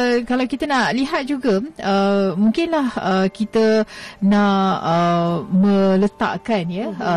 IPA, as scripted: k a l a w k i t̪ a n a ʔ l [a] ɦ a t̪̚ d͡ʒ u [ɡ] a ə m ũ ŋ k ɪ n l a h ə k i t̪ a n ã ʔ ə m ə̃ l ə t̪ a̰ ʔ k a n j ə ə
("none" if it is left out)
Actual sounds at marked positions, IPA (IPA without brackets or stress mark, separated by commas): i, ɡ